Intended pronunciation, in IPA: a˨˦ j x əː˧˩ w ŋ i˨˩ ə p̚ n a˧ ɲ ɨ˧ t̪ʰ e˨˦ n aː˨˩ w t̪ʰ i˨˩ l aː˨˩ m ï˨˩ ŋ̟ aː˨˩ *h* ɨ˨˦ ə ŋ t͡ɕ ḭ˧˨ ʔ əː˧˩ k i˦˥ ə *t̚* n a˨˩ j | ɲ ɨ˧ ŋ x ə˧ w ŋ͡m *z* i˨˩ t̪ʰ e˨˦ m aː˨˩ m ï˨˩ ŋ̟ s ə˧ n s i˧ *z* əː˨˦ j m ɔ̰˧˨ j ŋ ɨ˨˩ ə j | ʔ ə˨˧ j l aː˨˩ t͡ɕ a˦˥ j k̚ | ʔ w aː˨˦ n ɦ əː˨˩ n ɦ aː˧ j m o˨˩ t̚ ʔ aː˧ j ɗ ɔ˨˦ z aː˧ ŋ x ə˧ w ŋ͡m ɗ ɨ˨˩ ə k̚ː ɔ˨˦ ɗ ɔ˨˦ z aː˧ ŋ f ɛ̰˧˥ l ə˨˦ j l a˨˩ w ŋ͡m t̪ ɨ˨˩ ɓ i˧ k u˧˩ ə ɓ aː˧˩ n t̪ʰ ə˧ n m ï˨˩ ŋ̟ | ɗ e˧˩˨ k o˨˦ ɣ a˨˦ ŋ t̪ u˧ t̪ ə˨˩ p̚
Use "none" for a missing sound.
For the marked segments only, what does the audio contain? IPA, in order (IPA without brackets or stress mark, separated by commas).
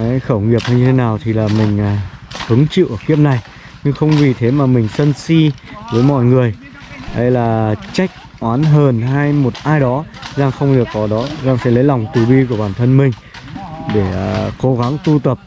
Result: h, p̚, v, v